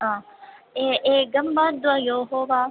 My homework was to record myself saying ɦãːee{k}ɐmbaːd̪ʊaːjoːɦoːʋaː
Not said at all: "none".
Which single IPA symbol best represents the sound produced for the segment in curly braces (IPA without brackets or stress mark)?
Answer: ɡ